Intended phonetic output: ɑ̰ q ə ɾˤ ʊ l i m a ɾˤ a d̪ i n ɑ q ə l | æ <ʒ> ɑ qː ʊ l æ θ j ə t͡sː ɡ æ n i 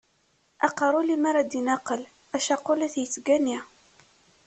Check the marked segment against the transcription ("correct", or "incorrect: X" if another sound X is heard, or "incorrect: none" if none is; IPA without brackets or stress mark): incorrect: ʃ